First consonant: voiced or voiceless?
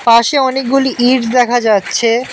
voiceless